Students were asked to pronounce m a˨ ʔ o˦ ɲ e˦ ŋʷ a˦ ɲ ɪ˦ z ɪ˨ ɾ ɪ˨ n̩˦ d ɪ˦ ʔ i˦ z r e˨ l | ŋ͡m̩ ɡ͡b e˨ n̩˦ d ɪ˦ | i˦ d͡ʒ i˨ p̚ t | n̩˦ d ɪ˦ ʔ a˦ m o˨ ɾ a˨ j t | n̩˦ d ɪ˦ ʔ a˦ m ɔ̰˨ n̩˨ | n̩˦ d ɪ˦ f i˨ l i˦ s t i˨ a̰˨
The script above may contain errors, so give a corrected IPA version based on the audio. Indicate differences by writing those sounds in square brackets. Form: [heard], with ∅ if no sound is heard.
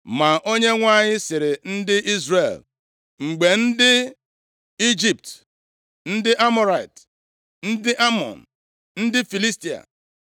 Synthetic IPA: m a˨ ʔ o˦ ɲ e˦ ŋʷ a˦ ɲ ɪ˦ [s] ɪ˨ ɾ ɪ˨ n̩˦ d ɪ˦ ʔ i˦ z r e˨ l | ŋ͡m̩ ɡ͡b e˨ n̩˦ d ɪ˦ | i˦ d͡ʒ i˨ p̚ t | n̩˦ d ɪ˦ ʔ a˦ m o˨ ɾ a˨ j t | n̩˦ d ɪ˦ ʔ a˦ m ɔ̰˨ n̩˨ | n̩˦ d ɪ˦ f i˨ l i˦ s t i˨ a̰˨